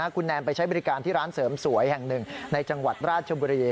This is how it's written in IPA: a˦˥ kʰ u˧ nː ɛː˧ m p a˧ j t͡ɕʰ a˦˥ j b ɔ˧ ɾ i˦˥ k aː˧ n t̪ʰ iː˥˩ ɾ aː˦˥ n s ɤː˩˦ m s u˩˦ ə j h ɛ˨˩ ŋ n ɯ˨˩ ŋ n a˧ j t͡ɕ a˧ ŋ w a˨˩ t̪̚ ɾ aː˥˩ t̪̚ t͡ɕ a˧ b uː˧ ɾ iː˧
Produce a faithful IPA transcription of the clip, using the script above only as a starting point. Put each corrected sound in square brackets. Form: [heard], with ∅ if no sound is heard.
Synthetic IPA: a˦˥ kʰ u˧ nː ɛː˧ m p a˧ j t͡ɕʰ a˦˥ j b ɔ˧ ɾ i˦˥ k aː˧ n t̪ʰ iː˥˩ ɾ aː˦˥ n s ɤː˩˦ m s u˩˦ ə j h ɛ˨˩ ŋ n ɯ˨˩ ŋ n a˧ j t͡ɕ a˧ ŋ w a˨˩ t̪̚ ɾ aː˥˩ t̪̚ [t͡ɕʰ] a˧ b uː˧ ɾ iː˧